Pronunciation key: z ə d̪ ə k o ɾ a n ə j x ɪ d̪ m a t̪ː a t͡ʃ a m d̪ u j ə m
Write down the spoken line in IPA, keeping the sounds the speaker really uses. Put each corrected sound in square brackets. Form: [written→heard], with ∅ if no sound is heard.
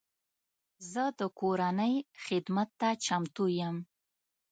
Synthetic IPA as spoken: z ə d̪ ə k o ɾ a n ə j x ɪ d̪ m a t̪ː a t͡ʃ a m [d̪→t̪] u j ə m

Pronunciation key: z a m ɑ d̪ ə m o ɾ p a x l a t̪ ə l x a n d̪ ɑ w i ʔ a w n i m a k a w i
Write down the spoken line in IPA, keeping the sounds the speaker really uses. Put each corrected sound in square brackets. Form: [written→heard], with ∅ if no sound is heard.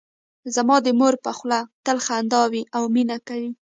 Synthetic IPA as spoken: z a m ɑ d̪ ə m o ɾ p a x l a t̪ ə l x a n d̪ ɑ w i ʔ a w [n→m] i [m→n] a k a w i

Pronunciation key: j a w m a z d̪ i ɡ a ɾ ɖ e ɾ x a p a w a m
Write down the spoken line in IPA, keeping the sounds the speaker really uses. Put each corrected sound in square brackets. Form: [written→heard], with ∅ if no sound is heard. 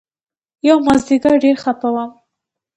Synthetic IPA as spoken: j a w m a z d̪ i ɡ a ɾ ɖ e ɾ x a p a w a m

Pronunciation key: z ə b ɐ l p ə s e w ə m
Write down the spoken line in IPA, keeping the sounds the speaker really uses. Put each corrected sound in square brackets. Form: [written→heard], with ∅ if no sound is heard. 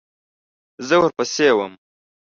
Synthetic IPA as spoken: z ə [b→w] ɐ [l→ɾ] p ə s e w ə m

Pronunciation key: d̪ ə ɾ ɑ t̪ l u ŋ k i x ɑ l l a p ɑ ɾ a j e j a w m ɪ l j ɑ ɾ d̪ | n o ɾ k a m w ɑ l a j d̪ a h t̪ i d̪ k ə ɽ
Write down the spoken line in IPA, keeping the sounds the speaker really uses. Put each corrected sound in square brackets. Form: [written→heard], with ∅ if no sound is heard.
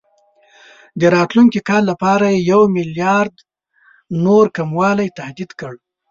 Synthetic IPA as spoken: d̪ ə ɾ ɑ t̪ l u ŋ k i [x→k] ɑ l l a p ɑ ɾ a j e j a w m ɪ l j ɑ ɾ d̪ | n o ɾ k a m w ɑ l a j [d̪→t̪] a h [t̪→d̪] i d̪ k ə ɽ

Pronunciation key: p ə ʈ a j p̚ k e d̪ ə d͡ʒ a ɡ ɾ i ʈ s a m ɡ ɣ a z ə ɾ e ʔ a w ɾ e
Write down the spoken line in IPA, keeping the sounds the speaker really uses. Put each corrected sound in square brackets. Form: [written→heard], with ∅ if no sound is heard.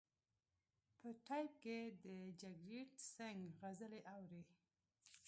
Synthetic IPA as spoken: p ə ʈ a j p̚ k e d̪ ə d͡ʒ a ɡ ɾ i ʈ s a [m→ŋ] ɡ ɣ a z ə [ɾ→l] e ʔ a w ɾ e

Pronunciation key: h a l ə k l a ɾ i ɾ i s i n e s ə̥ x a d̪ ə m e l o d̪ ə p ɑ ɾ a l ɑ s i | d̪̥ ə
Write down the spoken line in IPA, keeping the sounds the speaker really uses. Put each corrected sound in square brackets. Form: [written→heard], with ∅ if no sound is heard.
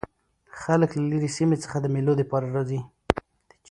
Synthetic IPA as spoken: [h→x] a l ə k l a [ɾ→l] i ɾ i s i [n→m] e [s→t͡s] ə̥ x a d̪ ə m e l o d̪ ə p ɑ ɾ a [l→ɾ] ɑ [s→z] i | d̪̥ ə

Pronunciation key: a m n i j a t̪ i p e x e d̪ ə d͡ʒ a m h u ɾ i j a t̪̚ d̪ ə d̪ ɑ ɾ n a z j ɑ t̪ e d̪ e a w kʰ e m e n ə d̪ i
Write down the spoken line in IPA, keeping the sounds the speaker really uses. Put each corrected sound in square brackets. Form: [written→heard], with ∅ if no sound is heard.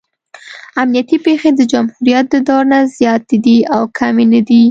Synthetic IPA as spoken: a m n i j a t̪ i p e x e d̪ ə d͡ʒ a m h u ɾ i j a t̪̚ d̪ ə d̪ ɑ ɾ n a z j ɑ t̪ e d̪ [e→i] a w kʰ [e→a] m e n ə d̪ i

